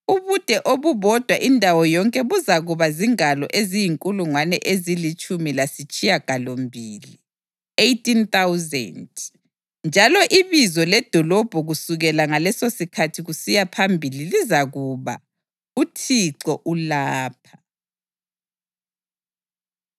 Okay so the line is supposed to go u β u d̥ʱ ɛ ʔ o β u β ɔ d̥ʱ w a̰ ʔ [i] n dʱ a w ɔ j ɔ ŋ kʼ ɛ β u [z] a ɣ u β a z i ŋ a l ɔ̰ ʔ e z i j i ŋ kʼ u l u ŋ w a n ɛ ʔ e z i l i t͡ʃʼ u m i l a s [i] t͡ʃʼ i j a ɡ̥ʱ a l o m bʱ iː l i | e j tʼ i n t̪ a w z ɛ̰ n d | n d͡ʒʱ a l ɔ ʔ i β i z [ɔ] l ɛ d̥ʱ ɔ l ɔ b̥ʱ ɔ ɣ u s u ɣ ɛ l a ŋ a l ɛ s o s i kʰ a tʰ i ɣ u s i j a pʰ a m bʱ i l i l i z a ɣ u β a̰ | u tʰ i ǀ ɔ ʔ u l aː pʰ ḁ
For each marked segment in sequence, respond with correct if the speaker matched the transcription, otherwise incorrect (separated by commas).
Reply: correct, correct, correct, correct